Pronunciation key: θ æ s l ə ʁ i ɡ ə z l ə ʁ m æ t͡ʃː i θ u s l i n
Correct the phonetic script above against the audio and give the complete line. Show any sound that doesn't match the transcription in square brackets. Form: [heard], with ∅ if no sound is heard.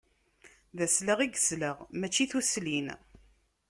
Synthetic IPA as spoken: [ð] æ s l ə ʁ i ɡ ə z l ə ʁ m æ t͡ʃː i θ u s l i n

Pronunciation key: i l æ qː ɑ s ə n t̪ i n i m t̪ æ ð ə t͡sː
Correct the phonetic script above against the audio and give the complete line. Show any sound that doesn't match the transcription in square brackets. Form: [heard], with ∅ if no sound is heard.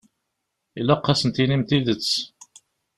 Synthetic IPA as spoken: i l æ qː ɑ s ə n t̪ i n i m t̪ [i] ð ə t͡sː

